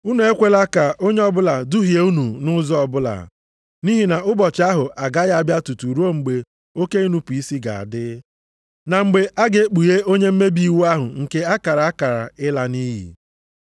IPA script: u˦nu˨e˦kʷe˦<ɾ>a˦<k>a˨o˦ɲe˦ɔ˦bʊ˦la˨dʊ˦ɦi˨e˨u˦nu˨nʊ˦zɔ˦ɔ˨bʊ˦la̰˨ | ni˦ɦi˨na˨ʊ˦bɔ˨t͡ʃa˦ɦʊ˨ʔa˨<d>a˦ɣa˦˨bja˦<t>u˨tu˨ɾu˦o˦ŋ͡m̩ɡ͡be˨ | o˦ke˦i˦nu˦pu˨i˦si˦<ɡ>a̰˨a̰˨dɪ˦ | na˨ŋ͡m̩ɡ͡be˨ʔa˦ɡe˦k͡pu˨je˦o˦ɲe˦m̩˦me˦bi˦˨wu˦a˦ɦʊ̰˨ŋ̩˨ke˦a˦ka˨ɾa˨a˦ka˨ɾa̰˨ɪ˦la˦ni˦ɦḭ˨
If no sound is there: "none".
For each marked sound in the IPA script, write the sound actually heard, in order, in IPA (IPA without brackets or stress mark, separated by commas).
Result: l, k, ɡ, t, ɡ